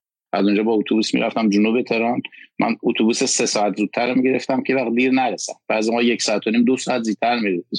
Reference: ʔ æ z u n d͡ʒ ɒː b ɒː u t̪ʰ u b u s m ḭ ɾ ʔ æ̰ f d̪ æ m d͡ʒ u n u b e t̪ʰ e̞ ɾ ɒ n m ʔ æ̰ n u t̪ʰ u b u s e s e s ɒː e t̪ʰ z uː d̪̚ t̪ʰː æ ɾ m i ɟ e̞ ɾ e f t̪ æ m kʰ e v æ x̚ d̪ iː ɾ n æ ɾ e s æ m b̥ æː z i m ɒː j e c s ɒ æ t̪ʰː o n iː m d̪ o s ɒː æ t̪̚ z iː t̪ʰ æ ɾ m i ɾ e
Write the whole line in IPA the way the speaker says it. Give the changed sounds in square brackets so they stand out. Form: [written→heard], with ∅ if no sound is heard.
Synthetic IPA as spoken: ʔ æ z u n d͡ʒ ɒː b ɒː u t̪ʰ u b u s m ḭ ɾ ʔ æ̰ f [d̪→t̪] æ m d͡ʒ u n u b e t̪ʰ e̞ ɾ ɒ n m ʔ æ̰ n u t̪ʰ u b u s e s e s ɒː [e→æ] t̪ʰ z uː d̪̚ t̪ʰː æ ɾ m i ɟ e̞ ɾ e f t̪ æ m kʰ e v æ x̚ d̪ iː ɾ n æ ɾ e s æ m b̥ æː z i m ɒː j e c s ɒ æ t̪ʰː o n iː m d̪ o s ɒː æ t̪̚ z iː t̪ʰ æ ɾ m i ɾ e